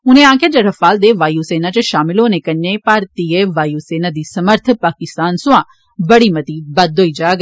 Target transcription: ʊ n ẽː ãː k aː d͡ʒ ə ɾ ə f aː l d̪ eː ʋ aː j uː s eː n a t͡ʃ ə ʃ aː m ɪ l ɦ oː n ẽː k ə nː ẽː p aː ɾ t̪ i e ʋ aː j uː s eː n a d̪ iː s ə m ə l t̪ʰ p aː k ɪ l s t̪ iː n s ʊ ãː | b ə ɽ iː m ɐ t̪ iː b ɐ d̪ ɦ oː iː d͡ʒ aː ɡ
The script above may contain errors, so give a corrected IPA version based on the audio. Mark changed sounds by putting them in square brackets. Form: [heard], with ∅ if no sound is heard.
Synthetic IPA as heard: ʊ n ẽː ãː k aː d͡ʒ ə ɾ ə f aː l d̪ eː ʋ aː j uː s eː n a t͡ʃ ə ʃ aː m ɪ l ɦ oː n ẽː k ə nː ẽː p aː ɾ t̪ i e ʋ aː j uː s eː n a d̪ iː s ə m ə [ɾ] t̪ʰ p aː k ɪ [∅] s t̪ [aː] n s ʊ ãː | b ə ɽ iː m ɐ t̪ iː b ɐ d̪ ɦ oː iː d͡ʒ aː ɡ

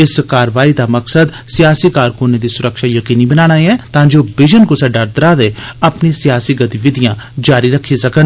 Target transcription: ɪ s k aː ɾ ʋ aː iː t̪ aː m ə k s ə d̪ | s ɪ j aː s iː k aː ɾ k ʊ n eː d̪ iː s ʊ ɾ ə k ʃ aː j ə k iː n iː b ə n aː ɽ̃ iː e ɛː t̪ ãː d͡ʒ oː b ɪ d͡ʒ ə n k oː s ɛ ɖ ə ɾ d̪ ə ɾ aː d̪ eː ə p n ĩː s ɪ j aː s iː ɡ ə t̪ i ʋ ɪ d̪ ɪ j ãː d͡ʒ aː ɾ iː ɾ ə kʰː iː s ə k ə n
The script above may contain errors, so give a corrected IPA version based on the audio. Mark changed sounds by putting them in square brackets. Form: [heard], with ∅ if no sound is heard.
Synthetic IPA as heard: ɪ s k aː ɾ ʋ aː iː [d̪] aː m ə k s ə d̪ | s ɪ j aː s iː k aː ɾ k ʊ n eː d̪ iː s ʊ ɾ ə k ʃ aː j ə k iː n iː b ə n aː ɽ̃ [aː] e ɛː t̪ ãː d͡ʒ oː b ɪ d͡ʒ ə n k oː s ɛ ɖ ə ɾ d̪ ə ɾ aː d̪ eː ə p n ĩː s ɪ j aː s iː ɡ ə t̪ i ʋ ɪ d̪ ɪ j ãː d͡ʒ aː ɾ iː ɾ ə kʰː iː s ə k ə n

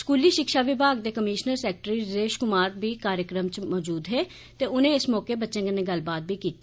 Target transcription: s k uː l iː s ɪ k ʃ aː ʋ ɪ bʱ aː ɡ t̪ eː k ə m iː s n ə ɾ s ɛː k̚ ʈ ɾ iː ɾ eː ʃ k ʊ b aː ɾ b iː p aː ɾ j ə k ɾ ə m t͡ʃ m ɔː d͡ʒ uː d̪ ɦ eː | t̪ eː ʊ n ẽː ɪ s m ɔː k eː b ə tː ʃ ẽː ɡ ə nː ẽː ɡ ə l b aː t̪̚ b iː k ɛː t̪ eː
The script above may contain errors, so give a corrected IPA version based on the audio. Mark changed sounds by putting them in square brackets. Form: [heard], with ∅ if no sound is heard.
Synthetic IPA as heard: s k uː l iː [ʃ] ɪ k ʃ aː ʋ ɪ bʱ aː ɡ [d̪] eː k ə m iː [ʃ] n ə ɾ s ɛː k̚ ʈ ɾ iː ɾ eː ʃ k ʊ [m] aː ɾ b iː [k] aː ɾ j ə k ɾ ə m t͡ʃ m ɔː d͡ʒ uː d̪ ɦ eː | t̪ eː ʊ n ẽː ɪ s m ɔː k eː b ə tː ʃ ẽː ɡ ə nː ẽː ɡ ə l b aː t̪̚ b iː k [iː] t̪ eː

